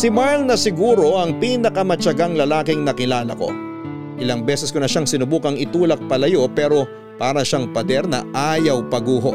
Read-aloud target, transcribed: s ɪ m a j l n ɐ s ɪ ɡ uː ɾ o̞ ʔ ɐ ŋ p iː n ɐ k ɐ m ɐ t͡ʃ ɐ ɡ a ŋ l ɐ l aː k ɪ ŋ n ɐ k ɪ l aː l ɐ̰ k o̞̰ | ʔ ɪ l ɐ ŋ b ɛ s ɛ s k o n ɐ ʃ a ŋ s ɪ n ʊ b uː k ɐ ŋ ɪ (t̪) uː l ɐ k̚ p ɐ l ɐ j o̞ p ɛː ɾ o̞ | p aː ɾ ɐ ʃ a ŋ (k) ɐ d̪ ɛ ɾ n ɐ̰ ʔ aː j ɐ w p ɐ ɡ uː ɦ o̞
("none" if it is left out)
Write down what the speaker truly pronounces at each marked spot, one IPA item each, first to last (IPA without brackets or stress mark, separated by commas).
t̪, p